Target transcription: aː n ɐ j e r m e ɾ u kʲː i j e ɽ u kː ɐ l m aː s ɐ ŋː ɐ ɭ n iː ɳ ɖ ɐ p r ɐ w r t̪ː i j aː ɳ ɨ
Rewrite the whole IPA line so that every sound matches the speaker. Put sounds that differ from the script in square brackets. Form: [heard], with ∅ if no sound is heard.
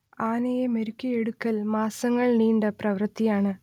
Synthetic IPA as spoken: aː n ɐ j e [∅] m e ɾ u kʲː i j e ɽ u kː ɐ l m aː s ɐ ŋː ɐ ɭ n iː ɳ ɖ ɐ p r ɐ [ʋ] r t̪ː i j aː ɳ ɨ